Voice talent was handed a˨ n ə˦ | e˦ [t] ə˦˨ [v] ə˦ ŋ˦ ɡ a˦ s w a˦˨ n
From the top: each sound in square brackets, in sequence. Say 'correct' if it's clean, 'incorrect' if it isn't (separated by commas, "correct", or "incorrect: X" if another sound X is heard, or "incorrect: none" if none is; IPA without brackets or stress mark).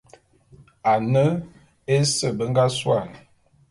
incorrect: s, incorrect: b